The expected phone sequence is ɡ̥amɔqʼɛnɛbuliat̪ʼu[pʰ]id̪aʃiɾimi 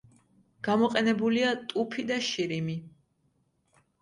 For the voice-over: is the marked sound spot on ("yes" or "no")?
yes